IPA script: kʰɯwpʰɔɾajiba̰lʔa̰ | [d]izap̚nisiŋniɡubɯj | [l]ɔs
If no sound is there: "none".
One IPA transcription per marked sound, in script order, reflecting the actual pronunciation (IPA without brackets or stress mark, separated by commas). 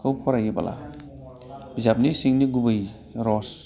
b, ɾ